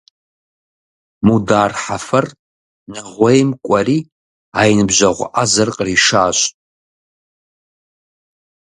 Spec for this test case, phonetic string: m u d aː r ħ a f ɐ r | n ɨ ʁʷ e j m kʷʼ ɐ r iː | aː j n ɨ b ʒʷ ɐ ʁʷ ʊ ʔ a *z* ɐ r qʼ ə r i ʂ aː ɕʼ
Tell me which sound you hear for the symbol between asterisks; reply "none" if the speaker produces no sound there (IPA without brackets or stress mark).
z